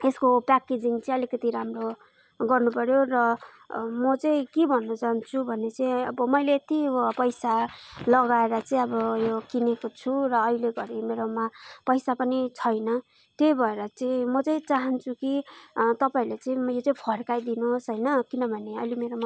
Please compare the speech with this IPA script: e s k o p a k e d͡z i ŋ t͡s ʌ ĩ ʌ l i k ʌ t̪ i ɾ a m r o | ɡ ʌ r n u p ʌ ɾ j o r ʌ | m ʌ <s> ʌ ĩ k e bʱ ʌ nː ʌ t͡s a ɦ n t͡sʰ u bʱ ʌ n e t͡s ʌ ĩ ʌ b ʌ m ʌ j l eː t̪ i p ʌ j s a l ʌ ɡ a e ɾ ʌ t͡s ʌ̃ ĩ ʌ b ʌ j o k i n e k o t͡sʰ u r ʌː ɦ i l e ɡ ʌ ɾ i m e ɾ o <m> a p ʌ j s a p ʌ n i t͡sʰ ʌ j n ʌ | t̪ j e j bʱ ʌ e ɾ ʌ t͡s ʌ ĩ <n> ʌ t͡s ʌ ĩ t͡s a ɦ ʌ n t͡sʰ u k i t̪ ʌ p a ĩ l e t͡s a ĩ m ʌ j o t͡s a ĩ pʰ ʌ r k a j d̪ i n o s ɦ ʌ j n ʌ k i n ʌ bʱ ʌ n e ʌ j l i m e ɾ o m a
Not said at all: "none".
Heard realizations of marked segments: t͡s, m, m

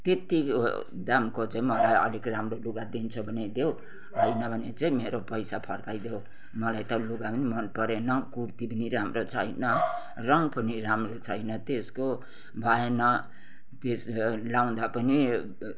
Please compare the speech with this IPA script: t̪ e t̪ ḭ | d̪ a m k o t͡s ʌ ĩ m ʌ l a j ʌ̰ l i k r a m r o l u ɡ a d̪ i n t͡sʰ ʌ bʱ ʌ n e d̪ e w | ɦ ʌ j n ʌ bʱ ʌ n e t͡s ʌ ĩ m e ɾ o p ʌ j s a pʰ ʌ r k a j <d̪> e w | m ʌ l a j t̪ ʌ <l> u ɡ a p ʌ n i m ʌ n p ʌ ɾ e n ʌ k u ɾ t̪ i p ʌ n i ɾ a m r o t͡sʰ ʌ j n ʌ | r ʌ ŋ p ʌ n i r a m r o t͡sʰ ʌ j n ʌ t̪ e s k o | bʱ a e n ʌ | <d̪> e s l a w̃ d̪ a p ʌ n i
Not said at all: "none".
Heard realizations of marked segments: d̪, l, t̪

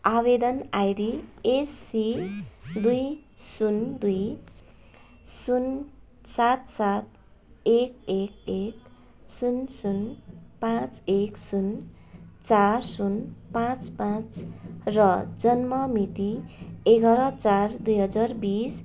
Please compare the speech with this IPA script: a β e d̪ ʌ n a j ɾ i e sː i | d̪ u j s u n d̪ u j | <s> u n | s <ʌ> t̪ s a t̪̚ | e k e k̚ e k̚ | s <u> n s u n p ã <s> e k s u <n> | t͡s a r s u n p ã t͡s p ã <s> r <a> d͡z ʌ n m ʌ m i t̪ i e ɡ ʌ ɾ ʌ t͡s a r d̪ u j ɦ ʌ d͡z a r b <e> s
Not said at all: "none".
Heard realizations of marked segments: s, a, u, t͡s, n, t͡s, ʌ, i

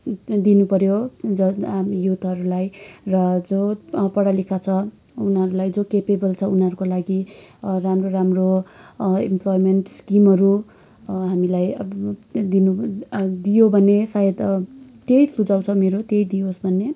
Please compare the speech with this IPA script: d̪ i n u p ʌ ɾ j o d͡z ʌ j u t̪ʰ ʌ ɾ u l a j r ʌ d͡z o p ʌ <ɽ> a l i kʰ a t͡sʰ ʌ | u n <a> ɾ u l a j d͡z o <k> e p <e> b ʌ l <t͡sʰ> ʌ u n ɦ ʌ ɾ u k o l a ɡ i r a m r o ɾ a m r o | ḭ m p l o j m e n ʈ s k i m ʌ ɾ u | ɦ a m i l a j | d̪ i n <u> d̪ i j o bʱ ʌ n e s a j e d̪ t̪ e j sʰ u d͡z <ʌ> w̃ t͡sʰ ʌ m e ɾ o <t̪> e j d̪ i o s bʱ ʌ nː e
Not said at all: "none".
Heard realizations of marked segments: ɽ, ʌ, k, e, t͡sʰ, u, a, t̪

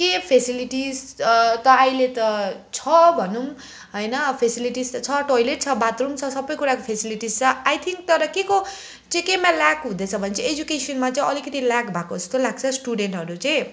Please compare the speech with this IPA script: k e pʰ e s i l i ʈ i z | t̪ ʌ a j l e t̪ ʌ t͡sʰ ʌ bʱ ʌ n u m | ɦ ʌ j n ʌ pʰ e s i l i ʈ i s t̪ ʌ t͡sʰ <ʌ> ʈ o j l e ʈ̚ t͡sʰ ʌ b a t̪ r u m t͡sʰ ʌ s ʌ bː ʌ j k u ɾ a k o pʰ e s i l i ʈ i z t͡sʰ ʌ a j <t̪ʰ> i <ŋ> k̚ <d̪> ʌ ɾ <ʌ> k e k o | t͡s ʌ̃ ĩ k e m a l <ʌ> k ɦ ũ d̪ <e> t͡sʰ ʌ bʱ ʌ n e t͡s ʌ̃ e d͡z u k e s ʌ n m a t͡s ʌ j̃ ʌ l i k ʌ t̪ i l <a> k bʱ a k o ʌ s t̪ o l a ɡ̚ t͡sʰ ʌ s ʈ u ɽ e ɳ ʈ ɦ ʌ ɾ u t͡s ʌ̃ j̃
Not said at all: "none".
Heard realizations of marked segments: ʌ, t̪ʰ, ŋ, t̪, ʌ, a, e, a

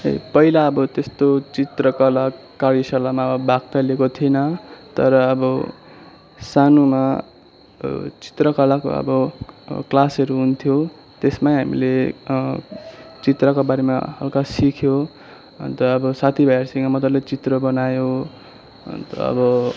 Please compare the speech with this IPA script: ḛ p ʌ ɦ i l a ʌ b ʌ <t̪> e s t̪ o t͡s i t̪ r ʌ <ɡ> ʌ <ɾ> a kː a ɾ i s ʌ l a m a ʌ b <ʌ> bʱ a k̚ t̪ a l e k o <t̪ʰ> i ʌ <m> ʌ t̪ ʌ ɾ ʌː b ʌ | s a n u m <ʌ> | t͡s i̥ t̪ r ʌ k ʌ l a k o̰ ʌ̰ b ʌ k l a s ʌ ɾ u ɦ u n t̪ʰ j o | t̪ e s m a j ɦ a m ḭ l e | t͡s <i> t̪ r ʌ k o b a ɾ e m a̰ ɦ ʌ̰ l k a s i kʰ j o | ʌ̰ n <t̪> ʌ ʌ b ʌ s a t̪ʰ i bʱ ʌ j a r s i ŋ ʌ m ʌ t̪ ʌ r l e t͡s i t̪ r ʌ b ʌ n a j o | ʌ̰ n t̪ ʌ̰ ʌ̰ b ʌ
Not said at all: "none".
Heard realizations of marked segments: t̪, k, l, ʌ, t̪ʰ, n, a, i, t̪

